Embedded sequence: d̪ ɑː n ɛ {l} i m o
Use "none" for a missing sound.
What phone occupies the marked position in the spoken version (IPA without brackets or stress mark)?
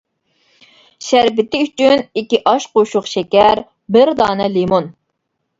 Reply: l